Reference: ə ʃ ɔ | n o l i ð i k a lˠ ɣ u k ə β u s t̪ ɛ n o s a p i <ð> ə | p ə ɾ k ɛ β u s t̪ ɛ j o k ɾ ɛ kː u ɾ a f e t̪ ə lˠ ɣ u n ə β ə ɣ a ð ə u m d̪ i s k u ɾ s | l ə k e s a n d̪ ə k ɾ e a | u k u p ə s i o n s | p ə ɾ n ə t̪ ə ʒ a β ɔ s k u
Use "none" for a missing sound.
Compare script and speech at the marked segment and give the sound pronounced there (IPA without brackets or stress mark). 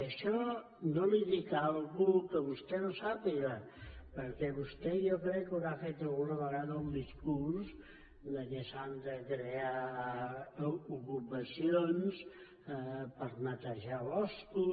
ɣ